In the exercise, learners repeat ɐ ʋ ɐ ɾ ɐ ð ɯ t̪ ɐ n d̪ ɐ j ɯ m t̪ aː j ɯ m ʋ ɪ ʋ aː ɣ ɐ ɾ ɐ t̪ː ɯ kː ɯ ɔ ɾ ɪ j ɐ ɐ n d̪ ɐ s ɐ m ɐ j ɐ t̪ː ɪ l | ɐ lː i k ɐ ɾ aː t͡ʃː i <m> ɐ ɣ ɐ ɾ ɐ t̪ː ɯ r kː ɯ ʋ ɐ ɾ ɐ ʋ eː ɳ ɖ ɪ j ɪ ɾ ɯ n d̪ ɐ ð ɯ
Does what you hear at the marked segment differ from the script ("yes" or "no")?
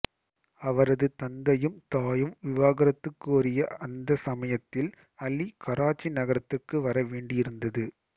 yes